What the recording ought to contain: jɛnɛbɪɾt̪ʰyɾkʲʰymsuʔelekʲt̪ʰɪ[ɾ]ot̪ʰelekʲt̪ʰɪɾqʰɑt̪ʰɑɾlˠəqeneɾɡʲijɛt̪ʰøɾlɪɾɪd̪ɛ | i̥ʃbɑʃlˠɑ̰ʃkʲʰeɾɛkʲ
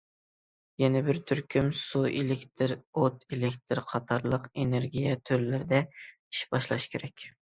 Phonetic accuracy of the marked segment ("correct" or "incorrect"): correct